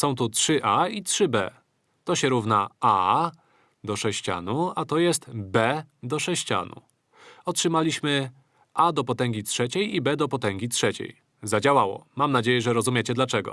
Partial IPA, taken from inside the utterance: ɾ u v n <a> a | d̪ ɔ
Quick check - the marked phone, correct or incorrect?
correct